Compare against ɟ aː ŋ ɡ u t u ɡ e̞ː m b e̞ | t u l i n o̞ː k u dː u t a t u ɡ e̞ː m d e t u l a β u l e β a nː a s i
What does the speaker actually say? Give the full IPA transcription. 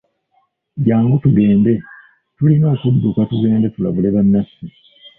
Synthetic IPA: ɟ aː ŋ ɡ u t u ɡ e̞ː m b e̞ | t u l i n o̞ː k u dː u k a t u ɡ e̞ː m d e t u l a β u l e β a nː a s i